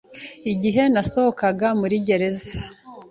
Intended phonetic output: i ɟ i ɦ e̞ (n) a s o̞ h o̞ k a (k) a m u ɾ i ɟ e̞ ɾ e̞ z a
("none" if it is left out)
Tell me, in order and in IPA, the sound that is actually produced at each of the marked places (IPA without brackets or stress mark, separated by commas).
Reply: n, ɡ